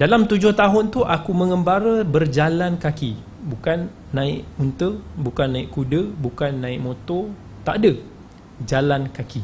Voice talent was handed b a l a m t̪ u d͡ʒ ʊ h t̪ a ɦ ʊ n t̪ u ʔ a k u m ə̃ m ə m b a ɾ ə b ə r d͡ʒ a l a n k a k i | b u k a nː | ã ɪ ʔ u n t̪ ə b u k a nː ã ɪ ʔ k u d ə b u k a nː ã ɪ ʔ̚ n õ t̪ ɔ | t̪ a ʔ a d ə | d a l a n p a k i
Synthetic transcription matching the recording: d a l a m t̪ u d͡ʒ ʊ h t̪ a ɦ ʊ n t̪ u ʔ a k u m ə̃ ŋ ə m b a ɾ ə b ə r d͡ʒ a l a n k a k i | b u k a nː | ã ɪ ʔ u n t̪ ə b u k a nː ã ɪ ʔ k u d ə b u k a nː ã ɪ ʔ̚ m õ t̪ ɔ | t̪ a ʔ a d ə | d͡ʒ a l a n k a k i